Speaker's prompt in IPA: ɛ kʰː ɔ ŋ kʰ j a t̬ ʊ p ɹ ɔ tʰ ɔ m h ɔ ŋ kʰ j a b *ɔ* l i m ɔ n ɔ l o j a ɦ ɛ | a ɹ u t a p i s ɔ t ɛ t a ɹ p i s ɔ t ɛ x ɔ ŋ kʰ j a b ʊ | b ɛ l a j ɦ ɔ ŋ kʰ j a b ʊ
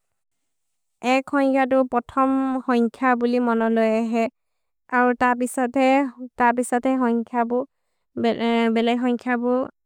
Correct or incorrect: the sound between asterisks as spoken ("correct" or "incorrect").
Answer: incorrect